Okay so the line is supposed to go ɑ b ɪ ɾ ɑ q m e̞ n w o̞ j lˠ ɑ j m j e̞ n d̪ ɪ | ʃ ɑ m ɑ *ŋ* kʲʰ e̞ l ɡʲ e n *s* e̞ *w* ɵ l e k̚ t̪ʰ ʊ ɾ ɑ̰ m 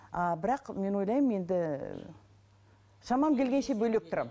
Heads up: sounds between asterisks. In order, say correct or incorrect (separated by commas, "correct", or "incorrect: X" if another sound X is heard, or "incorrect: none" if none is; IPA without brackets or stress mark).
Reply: incorrect: m, incorrect: ʃ, incorrect: b